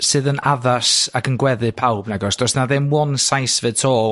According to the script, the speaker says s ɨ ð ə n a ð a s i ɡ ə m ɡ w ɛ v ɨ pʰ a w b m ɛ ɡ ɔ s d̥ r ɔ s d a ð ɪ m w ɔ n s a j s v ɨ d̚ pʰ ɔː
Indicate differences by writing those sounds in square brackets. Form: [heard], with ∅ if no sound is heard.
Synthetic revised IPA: s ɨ ð ə n a ð a s [a] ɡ ə [n] ɡ w ɛ [ð] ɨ pʰ a w b [n] ɛ ɡ ɔ s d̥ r ɔ s [n] a ð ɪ m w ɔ n s a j s v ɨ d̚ [tʰ] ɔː